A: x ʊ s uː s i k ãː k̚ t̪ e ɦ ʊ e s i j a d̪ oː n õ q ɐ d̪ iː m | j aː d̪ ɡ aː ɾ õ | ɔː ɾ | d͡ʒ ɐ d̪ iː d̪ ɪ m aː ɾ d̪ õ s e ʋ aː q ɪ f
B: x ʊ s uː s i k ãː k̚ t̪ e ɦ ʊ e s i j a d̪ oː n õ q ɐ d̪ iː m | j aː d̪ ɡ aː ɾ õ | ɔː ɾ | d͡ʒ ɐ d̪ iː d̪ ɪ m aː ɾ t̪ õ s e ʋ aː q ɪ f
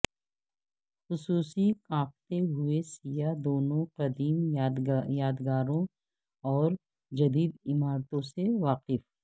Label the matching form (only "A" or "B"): B